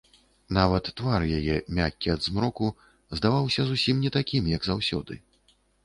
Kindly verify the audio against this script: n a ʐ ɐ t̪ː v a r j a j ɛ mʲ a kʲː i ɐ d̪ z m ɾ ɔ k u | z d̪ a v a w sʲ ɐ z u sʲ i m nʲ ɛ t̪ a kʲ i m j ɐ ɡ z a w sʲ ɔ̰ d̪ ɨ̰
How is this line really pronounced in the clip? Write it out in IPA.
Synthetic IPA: n a v ɐ t̪ː v a r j a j ɛ mʲ a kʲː i ɐ d̪ z m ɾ ɔ k u | z d̪ a v a w sʲ ɐ z u sʲ i m nʲ ɛ t̪ a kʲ i m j ɐ ɡ z a w sʲ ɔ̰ d̪ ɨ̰